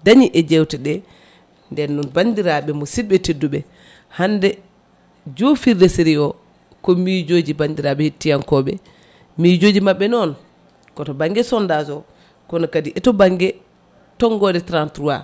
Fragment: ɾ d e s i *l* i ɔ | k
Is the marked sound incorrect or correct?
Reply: incorrect